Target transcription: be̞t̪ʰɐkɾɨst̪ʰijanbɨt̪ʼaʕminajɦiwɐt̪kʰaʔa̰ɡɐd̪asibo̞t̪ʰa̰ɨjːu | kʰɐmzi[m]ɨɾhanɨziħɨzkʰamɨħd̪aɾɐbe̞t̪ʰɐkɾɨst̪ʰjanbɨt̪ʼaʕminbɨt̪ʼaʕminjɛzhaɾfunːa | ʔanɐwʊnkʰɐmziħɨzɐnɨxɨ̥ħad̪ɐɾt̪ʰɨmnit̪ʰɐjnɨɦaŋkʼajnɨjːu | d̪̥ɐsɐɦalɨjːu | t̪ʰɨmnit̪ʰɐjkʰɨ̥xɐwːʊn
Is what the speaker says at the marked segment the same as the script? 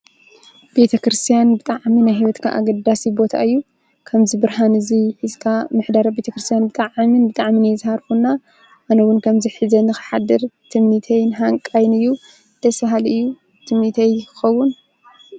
no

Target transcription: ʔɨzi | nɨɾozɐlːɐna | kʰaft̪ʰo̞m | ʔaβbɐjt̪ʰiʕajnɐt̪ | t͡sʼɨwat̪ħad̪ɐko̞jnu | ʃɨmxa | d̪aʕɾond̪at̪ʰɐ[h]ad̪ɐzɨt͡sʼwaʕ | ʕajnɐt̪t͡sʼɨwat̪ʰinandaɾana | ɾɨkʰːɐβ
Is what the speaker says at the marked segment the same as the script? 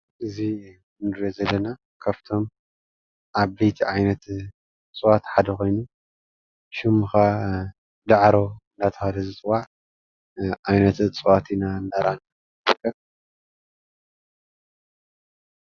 yes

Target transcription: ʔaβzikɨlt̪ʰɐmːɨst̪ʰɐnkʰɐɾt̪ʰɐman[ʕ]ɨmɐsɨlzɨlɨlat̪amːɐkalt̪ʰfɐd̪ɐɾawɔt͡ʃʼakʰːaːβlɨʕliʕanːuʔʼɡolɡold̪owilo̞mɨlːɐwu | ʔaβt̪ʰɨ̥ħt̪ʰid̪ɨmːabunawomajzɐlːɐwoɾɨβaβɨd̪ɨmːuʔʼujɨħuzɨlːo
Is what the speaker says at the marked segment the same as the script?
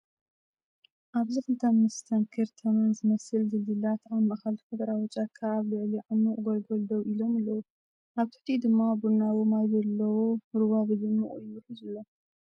no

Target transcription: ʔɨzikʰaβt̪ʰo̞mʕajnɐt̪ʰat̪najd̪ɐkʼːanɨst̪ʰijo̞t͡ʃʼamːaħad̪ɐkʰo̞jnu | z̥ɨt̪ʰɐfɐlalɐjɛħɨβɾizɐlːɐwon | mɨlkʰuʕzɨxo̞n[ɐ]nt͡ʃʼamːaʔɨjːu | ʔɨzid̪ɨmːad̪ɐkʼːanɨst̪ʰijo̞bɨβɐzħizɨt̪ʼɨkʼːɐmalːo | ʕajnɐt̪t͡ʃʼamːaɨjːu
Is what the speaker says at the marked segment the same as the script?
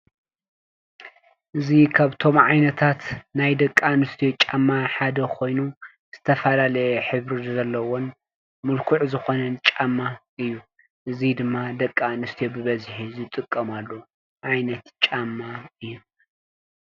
yes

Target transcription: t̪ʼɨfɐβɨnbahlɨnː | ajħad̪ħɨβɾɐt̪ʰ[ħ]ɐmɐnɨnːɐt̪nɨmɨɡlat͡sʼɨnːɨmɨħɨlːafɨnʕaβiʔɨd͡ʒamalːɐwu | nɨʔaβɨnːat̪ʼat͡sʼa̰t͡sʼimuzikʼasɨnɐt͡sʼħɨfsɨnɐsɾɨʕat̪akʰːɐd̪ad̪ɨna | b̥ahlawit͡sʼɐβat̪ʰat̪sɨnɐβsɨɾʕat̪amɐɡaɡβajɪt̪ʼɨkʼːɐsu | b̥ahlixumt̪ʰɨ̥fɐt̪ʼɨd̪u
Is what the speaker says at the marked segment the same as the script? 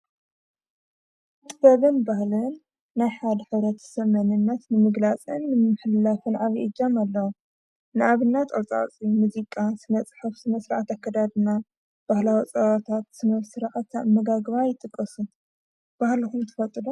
no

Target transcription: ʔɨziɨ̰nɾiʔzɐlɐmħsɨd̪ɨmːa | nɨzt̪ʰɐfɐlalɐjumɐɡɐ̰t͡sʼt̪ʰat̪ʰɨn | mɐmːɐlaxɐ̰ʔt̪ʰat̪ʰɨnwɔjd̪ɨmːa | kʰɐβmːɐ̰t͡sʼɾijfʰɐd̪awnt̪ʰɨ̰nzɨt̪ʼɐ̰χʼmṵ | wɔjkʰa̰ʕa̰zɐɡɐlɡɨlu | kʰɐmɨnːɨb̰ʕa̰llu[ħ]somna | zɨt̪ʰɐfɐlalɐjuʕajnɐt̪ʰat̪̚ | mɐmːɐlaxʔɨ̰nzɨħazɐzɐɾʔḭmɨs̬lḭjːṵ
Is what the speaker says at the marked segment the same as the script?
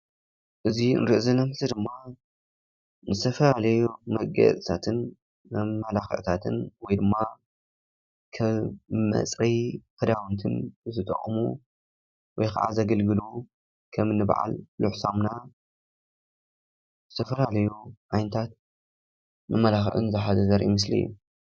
yes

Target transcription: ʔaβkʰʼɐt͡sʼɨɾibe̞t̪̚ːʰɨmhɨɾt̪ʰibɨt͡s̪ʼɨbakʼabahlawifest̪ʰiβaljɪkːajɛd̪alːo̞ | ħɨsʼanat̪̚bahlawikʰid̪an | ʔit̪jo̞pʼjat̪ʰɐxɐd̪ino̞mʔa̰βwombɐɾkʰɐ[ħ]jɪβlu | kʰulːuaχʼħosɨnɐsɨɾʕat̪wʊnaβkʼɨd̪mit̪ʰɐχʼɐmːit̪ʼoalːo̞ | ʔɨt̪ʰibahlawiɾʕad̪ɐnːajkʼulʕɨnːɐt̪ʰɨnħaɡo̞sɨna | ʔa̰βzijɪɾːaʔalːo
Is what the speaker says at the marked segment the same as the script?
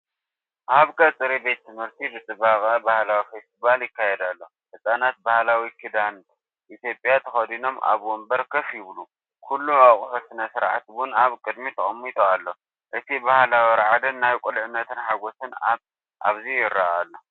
no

